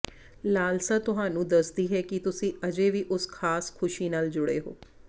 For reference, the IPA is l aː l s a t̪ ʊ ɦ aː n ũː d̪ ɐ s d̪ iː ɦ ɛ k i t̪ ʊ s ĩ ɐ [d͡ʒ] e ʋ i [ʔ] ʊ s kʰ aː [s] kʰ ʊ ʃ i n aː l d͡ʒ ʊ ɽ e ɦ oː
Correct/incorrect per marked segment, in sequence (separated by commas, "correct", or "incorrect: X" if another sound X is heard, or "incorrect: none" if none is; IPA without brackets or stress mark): correct, correct, correct